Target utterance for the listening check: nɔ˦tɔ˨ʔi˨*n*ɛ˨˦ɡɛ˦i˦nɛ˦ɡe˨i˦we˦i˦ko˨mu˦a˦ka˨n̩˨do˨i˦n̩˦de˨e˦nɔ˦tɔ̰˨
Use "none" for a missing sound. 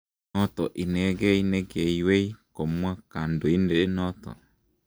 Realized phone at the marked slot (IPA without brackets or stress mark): n